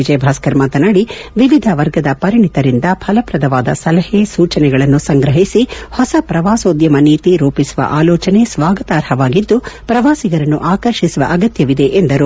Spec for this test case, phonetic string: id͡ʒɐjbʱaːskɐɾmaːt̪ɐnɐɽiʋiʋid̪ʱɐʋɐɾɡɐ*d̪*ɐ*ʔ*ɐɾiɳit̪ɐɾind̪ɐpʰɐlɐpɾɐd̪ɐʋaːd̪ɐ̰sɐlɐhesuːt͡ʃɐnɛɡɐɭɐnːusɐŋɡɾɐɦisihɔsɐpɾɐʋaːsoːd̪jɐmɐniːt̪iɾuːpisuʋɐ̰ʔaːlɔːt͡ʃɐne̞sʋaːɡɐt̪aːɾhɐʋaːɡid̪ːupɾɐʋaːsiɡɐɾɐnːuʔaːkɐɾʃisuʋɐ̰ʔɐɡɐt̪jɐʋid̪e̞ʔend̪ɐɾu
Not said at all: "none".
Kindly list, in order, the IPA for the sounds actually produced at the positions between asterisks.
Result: d̪, p

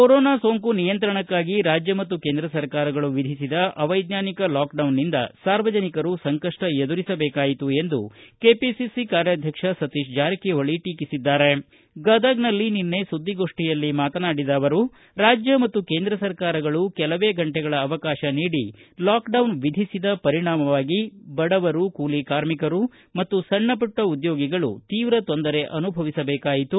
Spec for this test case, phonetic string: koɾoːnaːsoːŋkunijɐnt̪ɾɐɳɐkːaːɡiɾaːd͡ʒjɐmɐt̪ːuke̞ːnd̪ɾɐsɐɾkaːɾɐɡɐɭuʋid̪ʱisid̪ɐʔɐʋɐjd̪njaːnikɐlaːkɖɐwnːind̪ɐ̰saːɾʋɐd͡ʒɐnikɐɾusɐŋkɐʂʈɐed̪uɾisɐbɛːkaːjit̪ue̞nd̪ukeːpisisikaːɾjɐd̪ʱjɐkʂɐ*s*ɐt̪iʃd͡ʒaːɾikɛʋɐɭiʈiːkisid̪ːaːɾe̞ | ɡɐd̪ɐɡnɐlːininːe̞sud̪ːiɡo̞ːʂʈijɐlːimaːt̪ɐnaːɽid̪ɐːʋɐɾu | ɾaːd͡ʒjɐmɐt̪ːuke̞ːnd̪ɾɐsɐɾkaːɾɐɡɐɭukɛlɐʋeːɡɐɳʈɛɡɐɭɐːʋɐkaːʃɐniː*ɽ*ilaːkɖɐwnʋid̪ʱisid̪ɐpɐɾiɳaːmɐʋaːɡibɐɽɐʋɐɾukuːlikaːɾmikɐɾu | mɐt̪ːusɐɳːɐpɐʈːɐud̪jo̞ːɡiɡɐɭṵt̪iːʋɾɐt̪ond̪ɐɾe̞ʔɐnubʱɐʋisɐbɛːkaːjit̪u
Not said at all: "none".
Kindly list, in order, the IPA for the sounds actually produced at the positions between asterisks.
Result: s, ɽ

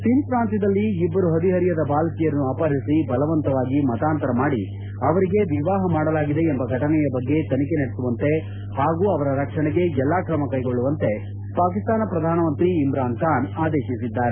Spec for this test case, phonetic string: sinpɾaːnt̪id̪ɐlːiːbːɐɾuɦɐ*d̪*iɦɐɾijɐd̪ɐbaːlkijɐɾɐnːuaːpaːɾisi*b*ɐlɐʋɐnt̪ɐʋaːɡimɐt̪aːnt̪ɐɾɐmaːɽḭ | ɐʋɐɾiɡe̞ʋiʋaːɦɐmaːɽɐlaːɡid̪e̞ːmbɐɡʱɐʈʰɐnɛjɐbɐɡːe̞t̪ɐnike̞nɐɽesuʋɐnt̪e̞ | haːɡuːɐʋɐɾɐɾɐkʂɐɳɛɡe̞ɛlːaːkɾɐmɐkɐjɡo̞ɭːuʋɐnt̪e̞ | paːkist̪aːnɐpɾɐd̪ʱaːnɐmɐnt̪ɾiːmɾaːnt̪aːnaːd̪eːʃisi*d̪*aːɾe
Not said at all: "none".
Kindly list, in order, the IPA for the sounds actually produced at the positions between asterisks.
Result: d̪, b, d̪ː

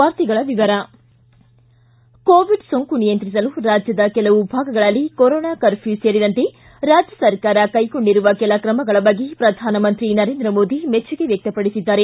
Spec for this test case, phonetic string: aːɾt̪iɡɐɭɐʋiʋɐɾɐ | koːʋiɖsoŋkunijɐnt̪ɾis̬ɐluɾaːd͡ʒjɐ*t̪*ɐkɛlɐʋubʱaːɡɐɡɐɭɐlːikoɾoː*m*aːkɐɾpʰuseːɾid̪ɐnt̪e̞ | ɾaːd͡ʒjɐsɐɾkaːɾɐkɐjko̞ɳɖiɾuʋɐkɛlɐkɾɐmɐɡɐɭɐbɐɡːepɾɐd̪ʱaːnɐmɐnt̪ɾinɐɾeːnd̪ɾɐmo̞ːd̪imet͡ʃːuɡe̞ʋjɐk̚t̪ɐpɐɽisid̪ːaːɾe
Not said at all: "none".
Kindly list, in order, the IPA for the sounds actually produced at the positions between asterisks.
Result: d̪, n

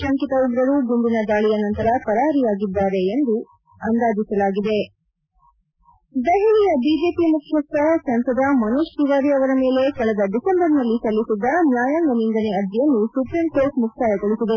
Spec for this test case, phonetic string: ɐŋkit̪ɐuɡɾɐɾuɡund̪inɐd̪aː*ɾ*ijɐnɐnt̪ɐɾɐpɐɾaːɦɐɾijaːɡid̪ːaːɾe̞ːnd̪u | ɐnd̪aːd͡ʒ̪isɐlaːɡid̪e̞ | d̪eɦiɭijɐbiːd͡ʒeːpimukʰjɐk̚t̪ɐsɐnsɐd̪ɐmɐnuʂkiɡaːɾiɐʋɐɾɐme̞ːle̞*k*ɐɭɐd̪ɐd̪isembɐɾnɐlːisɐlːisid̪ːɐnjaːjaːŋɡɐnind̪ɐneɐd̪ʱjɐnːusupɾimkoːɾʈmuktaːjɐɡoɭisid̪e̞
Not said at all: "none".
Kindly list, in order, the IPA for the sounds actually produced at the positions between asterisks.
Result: ɭ, k

